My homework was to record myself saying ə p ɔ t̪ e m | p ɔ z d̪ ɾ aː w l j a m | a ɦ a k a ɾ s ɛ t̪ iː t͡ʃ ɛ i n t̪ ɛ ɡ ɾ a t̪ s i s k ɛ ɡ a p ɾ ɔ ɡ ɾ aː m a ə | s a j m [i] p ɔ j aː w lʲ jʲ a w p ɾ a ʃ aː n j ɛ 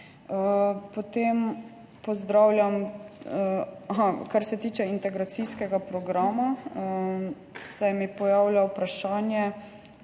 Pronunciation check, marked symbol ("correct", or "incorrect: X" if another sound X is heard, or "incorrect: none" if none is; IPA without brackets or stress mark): correct